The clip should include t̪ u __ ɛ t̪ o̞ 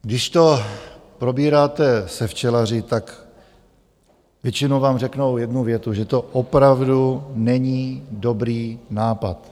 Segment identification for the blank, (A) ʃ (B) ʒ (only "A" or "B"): B